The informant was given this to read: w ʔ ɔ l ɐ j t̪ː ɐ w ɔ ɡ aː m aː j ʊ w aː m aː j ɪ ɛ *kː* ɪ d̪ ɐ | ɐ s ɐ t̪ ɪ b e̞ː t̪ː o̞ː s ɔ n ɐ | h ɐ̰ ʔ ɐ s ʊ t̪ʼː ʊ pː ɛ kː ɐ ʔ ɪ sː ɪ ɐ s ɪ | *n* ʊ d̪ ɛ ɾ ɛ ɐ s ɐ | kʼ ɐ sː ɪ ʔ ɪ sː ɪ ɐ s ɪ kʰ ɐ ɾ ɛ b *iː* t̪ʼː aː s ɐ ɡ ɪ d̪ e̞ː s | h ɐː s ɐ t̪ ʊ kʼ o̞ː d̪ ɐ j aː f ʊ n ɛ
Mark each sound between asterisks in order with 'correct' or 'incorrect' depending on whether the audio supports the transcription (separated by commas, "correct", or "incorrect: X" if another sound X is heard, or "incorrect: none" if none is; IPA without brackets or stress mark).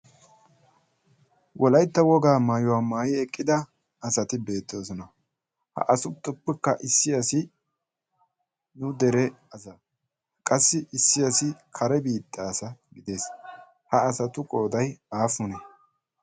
incorrect: kʼː, correct, correct